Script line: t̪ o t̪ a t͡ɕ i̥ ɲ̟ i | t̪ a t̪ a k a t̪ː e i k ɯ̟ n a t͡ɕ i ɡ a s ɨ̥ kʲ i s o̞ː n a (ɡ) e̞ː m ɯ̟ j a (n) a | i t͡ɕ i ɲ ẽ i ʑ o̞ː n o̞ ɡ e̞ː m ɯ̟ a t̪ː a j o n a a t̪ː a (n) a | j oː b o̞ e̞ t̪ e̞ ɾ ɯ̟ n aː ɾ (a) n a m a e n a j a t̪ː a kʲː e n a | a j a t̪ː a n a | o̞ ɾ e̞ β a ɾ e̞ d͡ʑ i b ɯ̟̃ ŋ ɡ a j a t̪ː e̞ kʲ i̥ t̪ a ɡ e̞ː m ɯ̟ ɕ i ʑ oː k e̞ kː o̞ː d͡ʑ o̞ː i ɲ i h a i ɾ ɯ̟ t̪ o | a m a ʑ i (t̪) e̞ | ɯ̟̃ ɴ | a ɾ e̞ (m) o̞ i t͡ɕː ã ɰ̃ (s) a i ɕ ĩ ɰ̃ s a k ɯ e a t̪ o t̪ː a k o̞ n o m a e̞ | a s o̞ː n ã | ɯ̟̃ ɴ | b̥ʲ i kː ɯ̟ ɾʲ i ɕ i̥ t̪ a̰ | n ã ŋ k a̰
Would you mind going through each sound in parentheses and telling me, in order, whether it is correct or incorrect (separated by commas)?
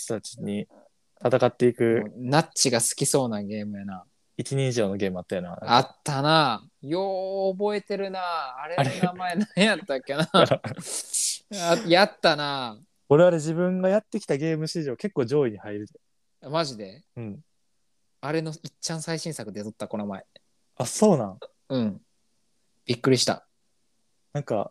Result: correct, correct, correct, incorrect, incorrect, incorrect, correct